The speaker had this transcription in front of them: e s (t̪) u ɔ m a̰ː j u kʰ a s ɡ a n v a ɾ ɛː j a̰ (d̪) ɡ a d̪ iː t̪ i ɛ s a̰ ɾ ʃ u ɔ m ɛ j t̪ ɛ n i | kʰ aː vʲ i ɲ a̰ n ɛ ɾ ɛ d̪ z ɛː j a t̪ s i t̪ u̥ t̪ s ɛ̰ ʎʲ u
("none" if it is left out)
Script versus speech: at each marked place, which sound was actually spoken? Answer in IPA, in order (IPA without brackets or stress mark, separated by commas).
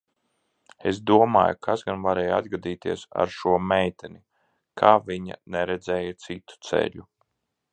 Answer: d̪, d̪